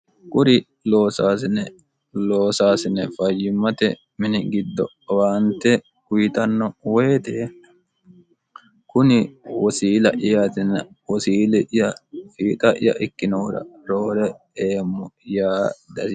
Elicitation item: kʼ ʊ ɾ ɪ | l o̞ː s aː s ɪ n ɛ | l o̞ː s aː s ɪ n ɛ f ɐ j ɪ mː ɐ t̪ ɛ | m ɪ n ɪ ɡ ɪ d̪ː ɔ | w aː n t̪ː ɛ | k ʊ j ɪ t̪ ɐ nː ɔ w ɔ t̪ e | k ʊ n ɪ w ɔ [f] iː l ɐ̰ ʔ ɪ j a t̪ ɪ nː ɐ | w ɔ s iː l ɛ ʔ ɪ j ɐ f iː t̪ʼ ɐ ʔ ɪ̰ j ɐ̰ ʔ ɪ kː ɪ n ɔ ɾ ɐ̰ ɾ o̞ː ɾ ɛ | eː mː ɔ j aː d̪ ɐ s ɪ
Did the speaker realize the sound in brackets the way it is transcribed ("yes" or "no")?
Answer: no